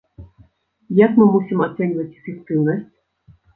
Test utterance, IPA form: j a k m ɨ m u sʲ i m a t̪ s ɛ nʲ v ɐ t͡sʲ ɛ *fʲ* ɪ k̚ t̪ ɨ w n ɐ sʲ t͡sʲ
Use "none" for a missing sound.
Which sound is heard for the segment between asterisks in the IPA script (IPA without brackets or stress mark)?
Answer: fʲ